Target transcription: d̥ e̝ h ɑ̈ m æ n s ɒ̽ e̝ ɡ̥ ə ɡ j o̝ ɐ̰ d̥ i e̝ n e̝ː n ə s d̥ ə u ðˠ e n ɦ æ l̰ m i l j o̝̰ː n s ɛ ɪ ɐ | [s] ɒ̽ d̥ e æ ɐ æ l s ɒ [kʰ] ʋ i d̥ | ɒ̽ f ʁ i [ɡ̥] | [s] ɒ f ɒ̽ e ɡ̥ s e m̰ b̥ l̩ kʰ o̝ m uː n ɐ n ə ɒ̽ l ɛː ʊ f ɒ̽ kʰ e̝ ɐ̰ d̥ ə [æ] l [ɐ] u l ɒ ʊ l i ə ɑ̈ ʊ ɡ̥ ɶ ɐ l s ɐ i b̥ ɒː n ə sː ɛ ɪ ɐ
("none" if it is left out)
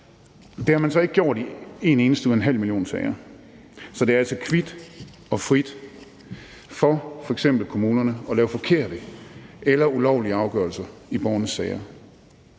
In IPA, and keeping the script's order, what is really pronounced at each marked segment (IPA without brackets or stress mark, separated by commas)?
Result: s, kʰ, d̥, f, e, ɐ